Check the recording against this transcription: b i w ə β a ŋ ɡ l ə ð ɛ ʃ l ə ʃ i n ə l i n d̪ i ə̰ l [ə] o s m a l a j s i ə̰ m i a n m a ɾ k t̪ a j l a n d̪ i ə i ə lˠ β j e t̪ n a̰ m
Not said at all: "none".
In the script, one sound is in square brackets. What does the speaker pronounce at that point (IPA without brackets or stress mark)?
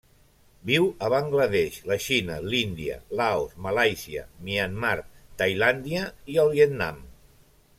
a